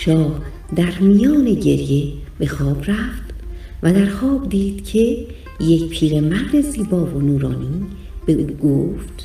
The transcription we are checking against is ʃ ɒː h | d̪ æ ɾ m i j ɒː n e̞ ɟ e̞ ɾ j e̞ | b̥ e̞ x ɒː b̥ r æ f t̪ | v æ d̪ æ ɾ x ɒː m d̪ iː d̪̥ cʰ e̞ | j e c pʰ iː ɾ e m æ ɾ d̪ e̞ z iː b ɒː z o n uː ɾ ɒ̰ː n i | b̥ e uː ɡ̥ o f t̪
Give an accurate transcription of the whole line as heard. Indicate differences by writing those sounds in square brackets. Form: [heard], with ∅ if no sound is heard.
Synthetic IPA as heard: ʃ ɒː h | d̪ æ ɾ m i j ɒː n e̞ ɟ e̞ ɾ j e̞ | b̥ e̞ x ɒː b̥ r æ f t̪ | v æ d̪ æ ɾ x ɒː [b] d̪ iː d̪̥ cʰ e̞ | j e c pʰ iː ɾ e m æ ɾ d̪ e̞ z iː b ɒː [v] o n uː ɾ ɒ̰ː n i | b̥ e uː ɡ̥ o f t̪